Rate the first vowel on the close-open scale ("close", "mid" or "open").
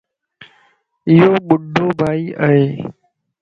close